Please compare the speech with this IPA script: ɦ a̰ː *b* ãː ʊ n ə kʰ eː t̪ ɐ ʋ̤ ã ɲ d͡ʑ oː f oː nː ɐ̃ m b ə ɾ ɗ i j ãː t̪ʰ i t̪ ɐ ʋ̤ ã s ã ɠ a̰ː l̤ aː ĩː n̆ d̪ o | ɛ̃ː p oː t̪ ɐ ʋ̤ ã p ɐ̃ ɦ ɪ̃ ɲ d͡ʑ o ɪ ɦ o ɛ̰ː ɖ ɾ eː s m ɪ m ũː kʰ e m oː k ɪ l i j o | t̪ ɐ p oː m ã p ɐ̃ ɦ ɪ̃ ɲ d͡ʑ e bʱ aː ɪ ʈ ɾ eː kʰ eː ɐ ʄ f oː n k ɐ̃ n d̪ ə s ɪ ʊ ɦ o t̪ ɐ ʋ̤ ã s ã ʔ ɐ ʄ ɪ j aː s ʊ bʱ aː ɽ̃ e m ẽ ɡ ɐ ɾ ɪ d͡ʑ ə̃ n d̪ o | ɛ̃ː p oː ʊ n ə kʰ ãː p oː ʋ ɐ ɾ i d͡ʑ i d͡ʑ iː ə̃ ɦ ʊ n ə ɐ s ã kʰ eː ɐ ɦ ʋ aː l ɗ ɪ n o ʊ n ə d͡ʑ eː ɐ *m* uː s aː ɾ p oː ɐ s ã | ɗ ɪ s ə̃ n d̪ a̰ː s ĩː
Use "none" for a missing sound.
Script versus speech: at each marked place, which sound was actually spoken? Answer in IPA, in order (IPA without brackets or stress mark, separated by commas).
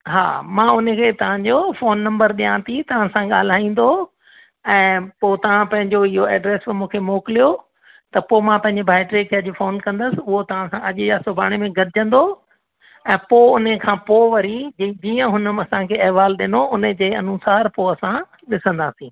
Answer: m, n